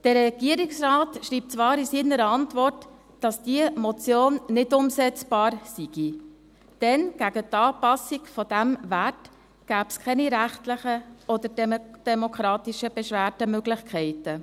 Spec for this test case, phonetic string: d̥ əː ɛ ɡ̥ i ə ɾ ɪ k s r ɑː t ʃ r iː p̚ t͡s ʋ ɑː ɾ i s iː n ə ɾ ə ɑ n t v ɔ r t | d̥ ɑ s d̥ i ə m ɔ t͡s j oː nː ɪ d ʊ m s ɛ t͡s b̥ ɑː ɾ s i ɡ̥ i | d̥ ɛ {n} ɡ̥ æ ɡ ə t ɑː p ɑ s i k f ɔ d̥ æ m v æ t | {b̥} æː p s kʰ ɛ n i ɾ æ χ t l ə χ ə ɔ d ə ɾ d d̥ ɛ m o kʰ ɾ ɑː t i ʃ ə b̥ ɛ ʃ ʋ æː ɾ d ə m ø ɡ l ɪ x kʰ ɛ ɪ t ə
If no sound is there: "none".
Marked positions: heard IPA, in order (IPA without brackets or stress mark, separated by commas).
n, ɡ̥